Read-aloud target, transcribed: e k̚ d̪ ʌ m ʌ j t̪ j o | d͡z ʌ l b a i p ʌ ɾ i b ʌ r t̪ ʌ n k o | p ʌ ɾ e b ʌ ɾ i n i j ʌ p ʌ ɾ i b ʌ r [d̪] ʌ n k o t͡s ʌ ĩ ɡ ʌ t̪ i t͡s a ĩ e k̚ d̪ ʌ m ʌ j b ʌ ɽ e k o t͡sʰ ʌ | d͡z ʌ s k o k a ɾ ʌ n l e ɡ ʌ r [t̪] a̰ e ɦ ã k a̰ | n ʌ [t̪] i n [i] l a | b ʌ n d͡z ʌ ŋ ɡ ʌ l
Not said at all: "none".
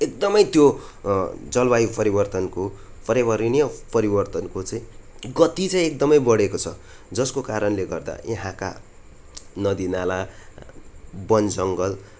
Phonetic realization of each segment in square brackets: t̪, d̪, d̪, a

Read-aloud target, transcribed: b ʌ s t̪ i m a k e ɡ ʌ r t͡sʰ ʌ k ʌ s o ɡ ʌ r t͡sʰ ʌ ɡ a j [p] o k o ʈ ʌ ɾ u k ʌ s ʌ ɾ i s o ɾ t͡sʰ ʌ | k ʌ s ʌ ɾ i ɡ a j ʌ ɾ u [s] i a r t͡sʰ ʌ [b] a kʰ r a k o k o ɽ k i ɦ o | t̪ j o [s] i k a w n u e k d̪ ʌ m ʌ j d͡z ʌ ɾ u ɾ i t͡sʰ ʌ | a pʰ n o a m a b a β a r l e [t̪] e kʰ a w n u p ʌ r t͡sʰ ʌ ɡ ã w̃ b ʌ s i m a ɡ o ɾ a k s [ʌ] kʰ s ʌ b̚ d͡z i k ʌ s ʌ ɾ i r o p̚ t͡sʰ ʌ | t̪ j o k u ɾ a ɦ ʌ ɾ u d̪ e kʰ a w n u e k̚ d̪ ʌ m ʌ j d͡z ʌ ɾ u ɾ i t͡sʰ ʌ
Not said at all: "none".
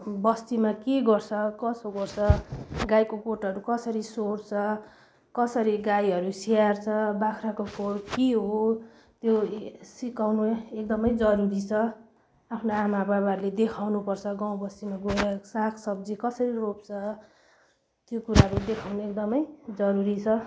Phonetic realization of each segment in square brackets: k, s, b, s, d̪, a

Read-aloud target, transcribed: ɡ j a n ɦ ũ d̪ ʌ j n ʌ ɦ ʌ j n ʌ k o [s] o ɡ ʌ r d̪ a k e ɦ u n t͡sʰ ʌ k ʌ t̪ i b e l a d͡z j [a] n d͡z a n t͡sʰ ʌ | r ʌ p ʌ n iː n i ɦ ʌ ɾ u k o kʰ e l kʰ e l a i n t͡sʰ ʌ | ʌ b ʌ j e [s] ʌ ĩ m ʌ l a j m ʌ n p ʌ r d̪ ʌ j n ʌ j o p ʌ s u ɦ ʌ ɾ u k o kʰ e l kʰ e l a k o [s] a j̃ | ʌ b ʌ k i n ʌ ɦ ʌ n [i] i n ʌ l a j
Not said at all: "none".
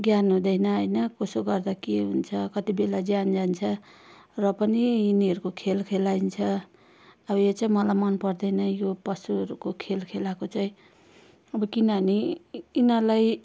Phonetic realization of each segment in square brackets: s, a, t͡s, t͡s, i

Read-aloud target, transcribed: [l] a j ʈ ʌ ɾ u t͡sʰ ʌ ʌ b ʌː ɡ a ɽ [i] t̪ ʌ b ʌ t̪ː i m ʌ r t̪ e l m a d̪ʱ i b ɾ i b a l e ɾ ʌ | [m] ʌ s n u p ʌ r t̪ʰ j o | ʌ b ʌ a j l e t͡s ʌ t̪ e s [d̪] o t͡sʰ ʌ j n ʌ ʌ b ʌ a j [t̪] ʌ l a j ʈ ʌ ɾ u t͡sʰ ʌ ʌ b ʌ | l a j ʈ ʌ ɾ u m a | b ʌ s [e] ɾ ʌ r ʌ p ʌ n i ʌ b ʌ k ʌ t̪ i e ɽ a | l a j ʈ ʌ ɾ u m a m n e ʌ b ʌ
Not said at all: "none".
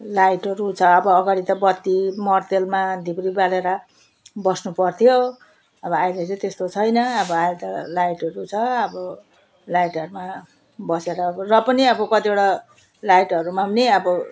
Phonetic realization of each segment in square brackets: l, i, b, t̪, t̪, e

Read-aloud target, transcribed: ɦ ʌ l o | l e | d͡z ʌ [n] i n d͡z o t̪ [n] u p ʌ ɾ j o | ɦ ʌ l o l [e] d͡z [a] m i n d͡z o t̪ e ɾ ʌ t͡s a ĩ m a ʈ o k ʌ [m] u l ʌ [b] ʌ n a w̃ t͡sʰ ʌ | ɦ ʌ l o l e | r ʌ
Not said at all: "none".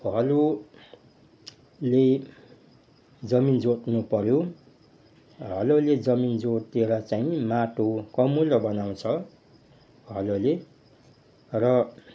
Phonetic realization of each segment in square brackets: m, n, e, ʌ, m, b

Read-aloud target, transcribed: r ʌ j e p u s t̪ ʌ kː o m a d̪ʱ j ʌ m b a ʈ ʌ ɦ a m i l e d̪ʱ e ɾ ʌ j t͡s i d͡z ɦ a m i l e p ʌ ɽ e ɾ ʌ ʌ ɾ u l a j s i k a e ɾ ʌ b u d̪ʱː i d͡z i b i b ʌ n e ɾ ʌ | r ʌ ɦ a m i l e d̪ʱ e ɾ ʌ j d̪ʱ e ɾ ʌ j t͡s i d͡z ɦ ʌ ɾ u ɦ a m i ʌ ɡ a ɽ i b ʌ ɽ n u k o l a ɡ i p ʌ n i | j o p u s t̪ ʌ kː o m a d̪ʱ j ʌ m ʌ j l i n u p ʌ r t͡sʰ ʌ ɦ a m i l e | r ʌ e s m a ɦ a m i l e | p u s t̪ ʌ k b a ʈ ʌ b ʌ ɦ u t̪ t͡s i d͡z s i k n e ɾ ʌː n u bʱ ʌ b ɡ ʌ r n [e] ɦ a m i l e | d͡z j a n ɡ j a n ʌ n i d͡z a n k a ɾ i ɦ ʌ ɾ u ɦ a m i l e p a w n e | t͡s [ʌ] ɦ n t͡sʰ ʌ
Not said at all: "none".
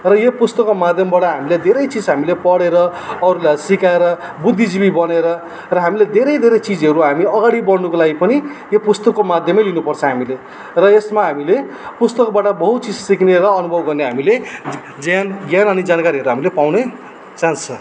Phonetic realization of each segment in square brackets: e, a

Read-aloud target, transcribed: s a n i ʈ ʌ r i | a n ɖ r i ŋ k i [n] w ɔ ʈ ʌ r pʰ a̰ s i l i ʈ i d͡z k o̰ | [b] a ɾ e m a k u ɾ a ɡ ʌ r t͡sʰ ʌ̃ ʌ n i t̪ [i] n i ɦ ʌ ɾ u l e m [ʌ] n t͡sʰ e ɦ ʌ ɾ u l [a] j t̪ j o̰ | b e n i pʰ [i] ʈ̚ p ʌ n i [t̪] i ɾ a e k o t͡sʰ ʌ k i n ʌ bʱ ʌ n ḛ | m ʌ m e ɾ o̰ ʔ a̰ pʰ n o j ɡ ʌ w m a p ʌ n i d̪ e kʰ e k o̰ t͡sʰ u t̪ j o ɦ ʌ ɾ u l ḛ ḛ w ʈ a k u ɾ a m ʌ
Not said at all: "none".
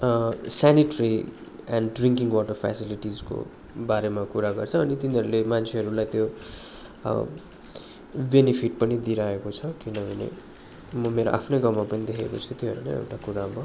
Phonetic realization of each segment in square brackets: ŋ, b, i, a, a, i, d̪

